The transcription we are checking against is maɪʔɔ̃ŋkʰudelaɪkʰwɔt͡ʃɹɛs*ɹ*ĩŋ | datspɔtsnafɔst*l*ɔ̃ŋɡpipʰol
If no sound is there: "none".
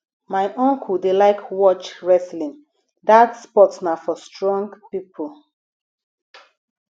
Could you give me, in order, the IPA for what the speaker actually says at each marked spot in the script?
l, ɹ

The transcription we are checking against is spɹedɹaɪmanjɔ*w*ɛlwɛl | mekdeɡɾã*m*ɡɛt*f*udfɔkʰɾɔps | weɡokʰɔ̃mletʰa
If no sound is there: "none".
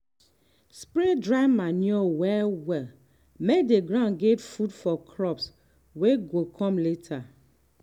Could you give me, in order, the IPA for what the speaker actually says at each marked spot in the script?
w, n, f

